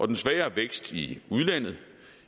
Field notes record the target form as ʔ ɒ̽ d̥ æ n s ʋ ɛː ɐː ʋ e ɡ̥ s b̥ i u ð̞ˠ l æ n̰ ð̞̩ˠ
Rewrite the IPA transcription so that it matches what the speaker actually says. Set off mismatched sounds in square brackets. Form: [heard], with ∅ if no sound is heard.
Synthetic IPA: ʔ ɒ̽ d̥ [e] n s ʋ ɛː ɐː ʋ e ɡ̥ s [d̥] i u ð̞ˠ l æ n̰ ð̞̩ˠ